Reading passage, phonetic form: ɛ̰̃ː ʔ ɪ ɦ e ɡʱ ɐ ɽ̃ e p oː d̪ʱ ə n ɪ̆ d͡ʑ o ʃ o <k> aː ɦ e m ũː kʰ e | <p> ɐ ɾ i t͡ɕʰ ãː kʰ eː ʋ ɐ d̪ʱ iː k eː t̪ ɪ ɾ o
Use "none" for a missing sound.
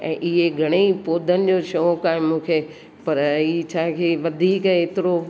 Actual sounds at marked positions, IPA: k, p

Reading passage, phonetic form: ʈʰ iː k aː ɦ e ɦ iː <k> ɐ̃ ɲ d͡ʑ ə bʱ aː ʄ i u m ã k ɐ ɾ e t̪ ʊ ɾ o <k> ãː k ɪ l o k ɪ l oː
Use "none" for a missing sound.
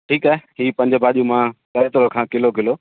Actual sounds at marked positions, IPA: p, kʰ

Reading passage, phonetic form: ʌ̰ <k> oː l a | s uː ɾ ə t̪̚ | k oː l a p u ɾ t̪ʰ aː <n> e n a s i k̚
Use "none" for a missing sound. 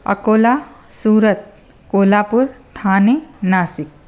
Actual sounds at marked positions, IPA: k, n

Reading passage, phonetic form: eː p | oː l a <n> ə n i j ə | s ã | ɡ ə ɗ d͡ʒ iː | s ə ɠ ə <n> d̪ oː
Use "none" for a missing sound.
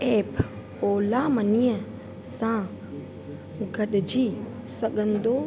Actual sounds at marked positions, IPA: m, n

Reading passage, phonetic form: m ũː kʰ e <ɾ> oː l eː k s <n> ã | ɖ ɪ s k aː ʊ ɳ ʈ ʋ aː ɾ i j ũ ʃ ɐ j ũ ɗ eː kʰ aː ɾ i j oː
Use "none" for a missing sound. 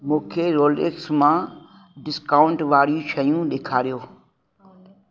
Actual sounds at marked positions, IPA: ɾ, m

